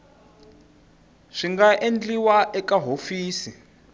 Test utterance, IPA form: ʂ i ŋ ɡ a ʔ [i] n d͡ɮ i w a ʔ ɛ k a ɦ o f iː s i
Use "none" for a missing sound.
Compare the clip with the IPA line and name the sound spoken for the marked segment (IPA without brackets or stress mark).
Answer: e